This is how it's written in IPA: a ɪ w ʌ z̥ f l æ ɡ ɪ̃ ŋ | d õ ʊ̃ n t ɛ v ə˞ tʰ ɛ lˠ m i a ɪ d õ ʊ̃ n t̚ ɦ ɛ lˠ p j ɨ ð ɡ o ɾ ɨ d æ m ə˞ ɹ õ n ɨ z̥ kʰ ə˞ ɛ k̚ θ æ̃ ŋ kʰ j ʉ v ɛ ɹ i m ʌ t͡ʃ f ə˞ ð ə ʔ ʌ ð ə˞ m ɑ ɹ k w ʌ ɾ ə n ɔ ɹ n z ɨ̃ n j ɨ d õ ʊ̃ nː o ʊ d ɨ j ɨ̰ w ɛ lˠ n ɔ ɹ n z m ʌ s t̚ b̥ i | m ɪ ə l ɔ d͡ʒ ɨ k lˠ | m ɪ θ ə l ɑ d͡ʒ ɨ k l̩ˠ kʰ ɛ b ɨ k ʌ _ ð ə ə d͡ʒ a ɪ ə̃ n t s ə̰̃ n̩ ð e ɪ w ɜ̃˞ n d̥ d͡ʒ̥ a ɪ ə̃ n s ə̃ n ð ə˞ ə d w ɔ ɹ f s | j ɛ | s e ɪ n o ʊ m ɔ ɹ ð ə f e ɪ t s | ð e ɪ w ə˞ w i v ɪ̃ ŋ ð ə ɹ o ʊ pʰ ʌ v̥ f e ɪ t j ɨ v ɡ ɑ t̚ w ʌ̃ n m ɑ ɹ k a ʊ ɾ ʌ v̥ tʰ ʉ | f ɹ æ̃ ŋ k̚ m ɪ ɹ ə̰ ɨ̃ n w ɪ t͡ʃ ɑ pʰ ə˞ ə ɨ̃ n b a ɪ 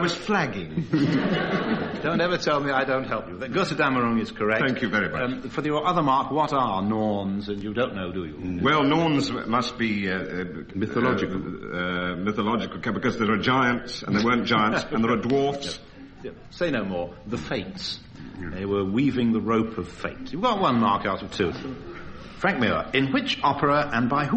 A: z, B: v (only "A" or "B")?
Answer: A